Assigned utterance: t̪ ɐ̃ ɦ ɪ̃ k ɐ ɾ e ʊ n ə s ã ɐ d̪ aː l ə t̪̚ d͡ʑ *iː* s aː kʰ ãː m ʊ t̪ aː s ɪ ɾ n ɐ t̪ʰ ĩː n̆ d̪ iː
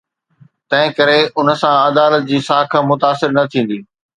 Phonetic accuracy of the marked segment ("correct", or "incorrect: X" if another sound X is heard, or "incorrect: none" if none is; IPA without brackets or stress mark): correct